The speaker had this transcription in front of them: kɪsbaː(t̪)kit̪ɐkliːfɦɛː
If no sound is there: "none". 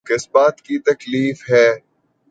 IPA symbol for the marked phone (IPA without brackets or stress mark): t̪